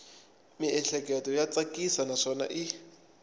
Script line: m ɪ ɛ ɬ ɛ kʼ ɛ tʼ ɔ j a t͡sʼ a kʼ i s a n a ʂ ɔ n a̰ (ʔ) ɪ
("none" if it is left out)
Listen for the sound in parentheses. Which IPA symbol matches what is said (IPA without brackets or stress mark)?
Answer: ʔ